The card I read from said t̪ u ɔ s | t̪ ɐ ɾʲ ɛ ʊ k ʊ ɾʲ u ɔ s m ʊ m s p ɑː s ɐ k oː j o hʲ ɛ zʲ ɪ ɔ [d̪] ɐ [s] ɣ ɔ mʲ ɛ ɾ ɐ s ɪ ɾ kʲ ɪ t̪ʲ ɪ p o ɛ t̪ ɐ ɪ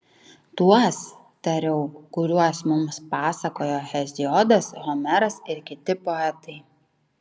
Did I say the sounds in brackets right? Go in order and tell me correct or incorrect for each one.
correct, correct

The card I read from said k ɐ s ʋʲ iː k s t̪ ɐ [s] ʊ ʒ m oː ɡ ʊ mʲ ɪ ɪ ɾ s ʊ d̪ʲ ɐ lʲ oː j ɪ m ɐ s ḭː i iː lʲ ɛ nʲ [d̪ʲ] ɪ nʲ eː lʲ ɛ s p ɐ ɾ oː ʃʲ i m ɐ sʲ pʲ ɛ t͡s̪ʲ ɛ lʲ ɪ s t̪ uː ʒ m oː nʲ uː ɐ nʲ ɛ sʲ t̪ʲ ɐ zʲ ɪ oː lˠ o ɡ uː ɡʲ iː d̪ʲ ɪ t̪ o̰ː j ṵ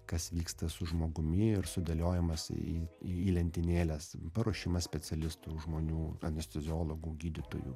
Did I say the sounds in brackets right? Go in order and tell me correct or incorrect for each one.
correct, incorrect: t̪ʲ

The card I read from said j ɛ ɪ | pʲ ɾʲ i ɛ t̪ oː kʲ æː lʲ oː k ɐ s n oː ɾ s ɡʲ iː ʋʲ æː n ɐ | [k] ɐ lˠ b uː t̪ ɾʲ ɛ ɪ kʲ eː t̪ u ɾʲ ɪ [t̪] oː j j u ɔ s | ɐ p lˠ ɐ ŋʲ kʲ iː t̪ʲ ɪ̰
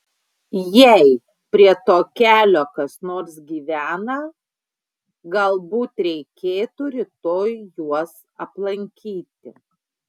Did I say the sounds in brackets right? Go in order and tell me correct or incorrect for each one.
incorrect: ɡ, correct

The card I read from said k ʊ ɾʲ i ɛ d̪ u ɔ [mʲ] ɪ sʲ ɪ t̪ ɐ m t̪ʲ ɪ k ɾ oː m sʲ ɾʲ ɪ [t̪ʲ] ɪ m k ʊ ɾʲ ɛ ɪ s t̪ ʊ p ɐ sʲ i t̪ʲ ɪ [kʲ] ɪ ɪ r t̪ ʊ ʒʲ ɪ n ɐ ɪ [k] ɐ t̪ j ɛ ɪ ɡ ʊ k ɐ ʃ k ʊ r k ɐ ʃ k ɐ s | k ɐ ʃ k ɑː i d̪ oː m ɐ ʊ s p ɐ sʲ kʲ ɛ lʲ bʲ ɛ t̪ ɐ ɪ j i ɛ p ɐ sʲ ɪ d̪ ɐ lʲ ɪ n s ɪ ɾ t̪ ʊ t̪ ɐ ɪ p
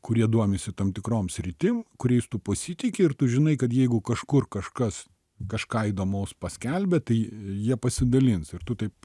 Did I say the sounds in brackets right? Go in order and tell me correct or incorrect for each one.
correct, correct, correct, correct

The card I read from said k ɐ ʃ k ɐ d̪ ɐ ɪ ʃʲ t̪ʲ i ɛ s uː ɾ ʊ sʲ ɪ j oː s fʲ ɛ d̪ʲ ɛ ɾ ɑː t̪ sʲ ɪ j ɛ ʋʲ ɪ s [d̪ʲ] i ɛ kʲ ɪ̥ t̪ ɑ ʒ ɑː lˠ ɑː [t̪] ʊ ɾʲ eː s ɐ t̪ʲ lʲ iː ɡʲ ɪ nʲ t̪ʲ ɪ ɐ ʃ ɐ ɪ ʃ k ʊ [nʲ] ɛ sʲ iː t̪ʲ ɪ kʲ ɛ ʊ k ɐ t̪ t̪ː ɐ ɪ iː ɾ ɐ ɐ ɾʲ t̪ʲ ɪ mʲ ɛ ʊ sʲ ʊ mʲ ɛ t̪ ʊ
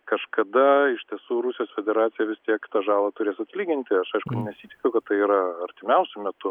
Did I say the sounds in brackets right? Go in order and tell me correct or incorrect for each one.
incorrect: t̪ʲ, correct, correct

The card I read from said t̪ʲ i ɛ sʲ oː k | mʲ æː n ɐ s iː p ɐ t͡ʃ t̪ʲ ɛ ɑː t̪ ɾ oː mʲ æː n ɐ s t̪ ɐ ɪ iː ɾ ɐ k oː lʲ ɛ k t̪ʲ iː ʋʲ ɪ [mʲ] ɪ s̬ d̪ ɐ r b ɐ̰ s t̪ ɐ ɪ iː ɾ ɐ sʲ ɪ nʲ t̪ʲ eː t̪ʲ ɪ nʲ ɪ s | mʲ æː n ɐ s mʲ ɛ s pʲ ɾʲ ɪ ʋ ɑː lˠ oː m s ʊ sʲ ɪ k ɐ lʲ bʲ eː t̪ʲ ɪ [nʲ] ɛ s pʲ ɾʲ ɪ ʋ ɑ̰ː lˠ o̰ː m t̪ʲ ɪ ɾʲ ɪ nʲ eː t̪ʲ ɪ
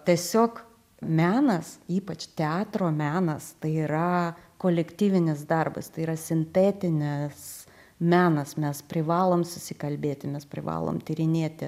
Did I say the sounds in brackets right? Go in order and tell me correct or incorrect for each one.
incorrect: nʲ, incorrect: mʲ

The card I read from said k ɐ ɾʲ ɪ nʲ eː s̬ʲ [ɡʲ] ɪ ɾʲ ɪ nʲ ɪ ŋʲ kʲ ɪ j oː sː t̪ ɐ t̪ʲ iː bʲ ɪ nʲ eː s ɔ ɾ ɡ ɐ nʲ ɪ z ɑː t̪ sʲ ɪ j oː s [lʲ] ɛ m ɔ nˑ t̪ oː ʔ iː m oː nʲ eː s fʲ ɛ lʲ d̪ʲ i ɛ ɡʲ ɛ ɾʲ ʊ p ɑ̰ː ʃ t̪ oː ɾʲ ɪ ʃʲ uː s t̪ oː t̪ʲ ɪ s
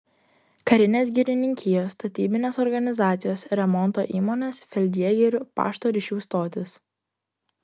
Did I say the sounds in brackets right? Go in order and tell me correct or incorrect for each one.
correct, incorrect: ɾʲ

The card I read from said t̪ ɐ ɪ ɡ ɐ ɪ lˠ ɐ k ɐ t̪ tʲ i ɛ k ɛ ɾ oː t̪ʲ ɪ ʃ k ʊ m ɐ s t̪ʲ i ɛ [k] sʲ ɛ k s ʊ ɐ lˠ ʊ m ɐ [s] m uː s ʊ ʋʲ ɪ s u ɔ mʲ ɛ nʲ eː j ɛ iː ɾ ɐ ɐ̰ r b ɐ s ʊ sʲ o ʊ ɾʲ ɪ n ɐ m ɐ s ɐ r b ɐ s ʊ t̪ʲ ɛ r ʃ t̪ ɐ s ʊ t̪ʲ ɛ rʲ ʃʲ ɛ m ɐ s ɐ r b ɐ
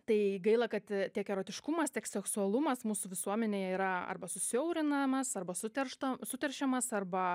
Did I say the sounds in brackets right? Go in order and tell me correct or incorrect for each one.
correct, correct

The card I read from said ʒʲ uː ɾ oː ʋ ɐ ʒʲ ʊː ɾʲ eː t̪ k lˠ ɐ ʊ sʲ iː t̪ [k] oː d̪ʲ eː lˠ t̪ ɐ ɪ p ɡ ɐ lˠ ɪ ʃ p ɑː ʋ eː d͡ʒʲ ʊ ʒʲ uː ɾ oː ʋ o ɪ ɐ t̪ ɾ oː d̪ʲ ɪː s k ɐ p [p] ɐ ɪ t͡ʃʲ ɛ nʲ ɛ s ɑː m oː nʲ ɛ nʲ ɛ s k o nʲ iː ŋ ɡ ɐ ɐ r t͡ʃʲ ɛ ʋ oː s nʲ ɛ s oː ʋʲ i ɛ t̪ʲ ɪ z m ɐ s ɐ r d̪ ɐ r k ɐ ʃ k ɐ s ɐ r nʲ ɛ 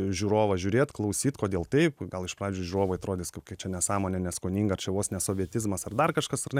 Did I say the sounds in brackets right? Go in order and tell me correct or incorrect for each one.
correct, incorrect: k

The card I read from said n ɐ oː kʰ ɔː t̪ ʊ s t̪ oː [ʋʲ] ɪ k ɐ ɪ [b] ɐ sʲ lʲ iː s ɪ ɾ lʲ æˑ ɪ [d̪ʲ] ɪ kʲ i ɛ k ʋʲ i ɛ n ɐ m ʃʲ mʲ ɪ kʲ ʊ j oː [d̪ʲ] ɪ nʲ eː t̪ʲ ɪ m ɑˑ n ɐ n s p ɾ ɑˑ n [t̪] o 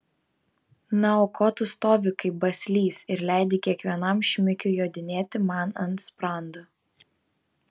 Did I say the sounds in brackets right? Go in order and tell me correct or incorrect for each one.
correct, correct, correct, correct, incorrect: d̪

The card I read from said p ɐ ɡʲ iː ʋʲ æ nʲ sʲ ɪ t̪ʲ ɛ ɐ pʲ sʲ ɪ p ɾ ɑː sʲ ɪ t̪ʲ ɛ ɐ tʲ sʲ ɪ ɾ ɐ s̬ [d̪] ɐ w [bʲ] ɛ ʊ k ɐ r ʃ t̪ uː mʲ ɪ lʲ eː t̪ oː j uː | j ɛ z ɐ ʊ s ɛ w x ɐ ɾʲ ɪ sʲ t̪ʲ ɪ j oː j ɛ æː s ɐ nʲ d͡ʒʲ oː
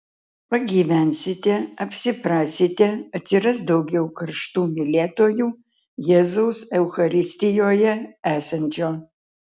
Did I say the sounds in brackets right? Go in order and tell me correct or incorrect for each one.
correct, incorrect: ɡʲ

